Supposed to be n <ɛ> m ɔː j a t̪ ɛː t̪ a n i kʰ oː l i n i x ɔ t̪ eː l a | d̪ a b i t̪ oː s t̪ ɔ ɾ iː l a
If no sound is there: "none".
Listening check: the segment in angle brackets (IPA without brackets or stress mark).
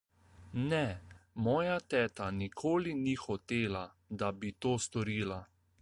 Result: ɛ